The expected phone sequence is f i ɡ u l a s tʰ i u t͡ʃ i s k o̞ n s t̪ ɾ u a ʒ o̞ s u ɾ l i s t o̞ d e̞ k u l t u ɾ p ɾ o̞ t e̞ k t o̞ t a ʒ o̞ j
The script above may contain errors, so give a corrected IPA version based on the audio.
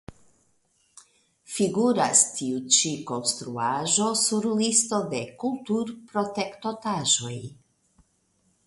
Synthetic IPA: f i ɡ u ɾ a s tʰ i u t͡ʃ i k o̞ n s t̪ ɾ u a ʒ o̞ s u ɾ l i s t o̞ d e̞ k u l t u ɾ p ɾ o̞ t e̞ k t o̞ t a ʒ o̞ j